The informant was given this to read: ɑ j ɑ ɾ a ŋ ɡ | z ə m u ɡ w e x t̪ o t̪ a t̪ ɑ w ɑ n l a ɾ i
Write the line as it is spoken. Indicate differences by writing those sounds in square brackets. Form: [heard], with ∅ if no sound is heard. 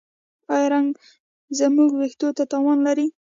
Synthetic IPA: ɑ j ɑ ɾ a ŋ ɡ | z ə m u ɡ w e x t̪ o t̪ a t̪ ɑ w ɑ n l a ɾ i